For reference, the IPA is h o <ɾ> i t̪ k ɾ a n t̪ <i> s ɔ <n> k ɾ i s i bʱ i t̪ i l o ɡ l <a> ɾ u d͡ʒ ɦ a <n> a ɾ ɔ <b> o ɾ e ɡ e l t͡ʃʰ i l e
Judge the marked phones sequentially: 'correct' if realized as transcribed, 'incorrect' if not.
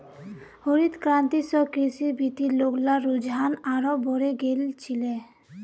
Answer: correct, correct, incorrect: none, correct, correct, correct

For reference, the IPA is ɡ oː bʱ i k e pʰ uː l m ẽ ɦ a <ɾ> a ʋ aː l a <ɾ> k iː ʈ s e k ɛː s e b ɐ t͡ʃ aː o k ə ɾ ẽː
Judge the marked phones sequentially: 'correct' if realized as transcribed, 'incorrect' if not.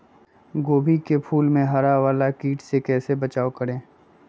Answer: correct, incorrect: none

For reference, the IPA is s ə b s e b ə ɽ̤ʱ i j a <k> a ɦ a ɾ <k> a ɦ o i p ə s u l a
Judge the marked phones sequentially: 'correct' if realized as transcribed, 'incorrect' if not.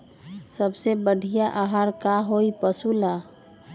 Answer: incorrect: ʔ, correct

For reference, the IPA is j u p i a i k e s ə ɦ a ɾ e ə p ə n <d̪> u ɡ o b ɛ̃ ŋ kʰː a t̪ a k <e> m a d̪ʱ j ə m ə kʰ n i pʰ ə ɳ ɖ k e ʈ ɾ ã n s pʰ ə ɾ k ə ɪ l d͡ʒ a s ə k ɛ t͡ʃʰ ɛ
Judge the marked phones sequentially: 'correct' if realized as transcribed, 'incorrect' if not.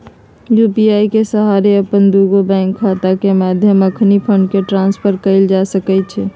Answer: correct, correct

